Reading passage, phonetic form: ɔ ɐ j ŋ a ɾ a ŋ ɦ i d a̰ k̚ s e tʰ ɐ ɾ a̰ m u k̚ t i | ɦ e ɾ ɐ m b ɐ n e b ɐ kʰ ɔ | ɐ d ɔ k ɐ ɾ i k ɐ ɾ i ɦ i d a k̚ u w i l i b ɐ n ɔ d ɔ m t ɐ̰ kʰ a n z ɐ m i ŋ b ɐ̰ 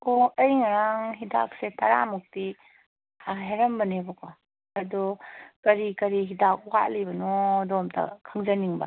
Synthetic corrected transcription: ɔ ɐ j ŋ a ɾ a ŋ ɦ i d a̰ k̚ s e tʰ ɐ ɾ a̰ m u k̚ t i | ɦ e ɾ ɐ m b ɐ n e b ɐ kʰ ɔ | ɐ d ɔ k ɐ ɾ i k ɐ ɾ i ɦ i d a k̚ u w a l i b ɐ n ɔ d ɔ m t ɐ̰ kʰ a ŋ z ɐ n i ŋ b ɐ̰